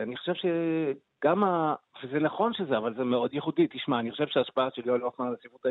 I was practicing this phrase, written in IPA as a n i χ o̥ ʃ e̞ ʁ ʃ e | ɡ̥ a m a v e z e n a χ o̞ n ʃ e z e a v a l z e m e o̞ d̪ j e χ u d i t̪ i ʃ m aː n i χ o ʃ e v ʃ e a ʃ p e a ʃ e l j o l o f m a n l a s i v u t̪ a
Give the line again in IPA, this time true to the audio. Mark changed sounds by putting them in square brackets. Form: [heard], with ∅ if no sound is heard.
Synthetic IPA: a n i χ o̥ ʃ e̞ [v] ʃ e | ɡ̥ a m a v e z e n a χ o̞ n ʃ e z e a v a l z e m e o̞ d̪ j e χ u d i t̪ i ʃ m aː n i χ o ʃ e v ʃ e a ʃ p [a] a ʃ e l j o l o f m a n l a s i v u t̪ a